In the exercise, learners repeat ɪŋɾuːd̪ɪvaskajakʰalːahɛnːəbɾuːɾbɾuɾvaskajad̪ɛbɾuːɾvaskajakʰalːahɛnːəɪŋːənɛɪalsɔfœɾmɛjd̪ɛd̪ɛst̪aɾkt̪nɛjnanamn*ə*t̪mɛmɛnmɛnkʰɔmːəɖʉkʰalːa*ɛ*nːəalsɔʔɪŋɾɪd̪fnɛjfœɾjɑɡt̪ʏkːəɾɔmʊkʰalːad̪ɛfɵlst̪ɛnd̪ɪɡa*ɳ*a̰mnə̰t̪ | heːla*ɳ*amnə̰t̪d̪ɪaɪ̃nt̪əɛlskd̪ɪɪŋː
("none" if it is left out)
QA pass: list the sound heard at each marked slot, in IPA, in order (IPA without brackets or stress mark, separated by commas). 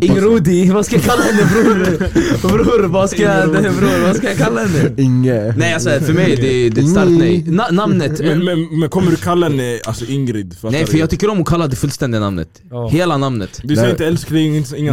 ə, ɛ, n, n